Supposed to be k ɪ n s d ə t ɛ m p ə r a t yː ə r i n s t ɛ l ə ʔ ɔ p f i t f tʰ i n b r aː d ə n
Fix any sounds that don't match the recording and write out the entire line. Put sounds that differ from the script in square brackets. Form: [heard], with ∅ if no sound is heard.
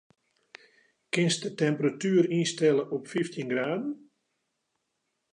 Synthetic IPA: k ɪ n s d ə t ɛ m p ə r a t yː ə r i n s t ɛ l ə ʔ ɔ p f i [∅] f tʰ i n [ɡ] r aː d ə n